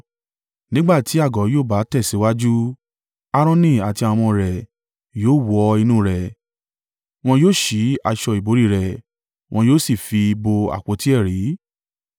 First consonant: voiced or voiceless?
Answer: voiced